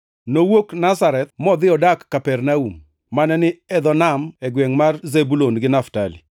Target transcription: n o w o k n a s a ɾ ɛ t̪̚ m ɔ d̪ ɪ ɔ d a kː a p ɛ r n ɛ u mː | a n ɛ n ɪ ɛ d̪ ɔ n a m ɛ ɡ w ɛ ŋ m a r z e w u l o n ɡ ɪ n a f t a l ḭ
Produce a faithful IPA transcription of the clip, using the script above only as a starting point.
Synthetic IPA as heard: n o w o k n a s a ɾ ɛ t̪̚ m ɔ d̪ ɪ ɔ d a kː a p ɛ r n a u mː | a n ɛ n ɪ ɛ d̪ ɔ n a m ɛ ɡ w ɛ ŋ m a r z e b u l o n ɡ ɪ n a f t a l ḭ